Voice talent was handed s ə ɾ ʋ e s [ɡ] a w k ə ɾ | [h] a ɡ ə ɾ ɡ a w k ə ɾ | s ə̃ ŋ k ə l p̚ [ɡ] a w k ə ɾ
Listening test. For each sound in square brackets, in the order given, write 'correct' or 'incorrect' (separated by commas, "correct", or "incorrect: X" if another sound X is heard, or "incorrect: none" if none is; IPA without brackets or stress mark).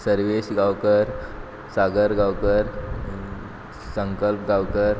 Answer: correct, incorrect: s, correct